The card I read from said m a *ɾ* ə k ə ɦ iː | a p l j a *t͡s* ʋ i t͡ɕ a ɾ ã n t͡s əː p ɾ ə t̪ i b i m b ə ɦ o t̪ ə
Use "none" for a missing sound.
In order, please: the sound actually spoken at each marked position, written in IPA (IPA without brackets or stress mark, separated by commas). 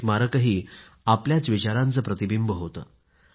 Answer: ɾ, t͡s